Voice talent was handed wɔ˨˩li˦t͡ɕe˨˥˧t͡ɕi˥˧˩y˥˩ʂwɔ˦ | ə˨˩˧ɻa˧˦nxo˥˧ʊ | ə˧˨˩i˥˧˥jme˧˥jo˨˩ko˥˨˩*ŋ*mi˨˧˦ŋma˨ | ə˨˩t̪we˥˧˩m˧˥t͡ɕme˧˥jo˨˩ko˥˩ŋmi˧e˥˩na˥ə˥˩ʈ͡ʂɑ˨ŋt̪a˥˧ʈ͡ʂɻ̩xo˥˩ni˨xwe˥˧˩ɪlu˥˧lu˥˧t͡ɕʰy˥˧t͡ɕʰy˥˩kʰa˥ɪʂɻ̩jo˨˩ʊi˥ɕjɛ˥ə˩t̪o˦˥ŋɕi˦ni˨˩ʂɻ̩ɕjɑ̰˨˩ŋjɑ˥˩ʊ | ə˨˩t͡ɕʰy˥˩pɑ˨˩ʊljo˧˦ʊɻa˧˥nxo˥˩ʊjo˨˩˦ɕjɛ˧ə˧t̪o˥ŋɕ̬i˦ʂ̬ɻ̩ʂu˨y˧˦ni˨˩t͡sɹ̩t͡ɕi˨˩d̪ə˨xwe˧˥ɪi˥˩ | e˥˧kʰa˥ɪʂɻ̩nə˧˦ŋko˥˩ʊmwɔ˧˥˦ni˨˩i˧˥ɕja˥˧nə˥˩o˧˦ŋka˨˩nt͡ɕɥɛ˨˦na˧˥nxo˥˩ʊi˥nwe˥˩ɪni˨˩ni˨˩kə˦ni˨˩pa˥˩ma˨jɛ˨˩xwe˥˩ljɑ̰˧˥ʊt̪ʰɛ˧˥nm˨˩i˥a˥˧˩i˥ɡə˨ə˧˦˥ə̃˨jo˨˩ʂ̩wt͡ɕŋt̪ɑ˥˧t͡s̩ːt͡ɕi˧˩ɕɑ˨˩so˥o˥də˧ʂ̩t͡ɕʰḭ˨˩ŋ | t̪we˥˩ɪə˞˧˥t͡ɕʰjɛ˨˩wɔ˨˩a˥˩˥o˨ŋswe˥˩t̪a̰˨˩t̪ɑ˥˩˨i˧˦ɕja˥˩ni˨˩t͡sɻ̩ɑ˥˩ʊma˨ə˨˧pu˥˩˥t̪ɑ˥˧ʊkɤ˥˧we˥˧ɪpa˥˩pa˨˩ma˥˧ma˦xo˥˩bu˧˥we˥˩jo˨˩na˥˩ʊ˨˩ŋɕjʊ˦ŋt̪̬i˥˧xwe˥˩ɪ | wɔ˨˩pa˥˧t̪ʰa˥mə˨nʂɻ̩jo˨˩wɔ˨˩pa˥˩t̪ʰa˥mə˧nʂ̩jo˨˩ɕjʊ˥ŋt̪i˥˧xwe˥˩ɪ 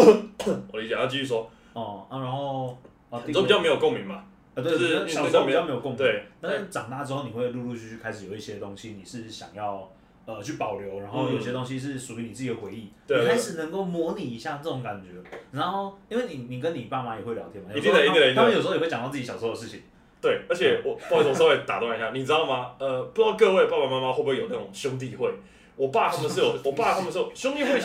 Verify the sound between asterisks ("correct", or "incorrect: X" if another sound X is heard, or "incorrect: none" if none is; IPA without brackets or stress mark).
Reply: correct